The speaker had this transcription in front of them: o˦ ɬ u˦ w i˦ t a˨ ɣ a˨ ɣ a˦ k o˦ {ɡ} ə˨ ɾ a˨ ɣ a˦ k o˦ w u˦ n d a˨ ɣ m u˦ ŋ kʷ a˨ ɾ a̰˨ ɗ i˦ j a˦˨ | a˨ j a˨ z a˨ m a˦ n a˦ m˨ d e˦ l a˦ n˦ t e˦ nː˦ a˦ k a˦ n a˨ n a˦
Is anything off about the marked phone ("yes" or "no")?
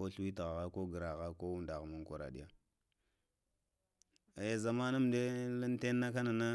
no